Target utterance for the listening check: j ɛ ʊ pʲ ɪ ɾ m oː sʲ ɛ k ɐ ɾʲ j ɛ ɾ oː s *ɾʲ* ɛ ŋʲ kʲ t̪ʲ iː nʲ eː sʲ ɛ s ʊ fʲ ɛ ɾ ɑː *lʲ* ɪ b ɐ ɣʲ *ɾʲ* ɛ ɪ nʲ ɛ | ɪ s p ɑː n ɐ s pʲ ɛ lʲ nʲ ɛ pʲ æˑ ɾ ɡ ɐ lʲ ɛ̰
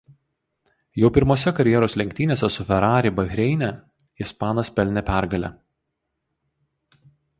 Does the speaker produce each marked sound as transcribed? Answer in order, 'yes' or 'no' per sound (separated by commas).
no, no, yes